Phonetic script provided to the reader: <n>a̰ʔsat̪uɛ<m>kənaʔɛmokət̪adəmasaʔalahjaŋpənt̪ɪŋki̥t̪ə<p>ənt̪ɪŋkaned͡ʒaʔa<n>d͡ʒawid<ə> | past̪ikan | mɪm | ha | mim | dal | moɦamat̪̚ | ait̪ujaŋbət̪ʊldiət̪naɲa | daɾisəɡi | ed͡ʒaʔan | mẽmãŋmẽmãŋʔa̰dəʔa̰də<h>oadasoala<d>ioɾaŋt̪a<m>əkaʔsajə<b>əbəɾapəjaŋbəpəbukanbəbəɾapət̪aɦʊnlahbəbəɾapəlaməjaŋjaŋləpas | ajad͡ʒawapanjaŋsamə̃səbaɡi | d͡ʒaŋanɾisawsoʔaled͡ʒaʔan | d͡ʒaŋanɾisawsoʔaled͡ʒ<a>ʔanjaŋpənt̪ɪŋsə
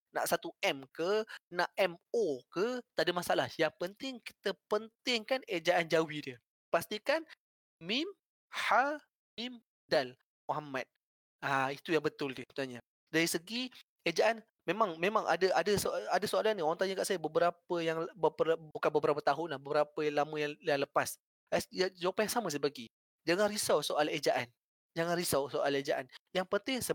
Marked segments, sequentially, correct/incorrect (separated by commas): correct, correct, correct, correct, correct, incorrect, incorrect, incorrect, correct, correct